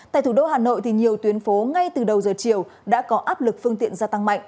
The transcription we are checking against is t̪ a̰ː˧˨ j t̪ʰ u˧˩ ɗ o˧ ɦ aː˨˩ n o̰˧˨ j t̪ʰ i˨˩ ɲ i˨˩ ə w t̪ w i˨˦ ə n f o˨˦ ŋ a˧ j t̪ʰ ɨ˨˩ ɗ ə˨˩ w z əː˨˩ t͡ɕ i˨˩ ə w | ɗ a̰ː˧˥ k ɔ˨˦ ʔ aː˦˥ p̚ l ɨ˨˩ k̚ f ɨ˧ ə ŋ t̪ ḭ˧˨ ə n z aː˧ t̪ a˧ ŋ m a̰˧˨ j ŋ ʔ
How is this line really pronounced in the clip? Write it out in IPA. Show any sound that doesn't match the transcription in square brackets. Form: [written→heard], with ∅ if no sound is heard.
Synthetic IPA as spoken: t̪ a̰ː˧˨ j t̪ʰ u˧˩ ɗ o˧ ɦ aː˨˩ n o̰˧˨ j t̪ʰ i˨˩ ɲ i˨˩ ə w t̪ w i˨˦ ə n f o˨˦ ŋ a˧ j [t̪ʰ→t̪] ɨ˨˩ ɗ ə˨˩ w z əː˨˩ t͡ɕ i˨˩ ə w | ɗ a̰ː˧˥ k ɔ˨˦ ʔ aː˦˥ p̚ l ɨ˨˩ k̚ f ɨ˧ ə ŋ t̪ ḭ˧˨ ə n z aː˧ t̪ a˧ ŋ m a̰˧˨ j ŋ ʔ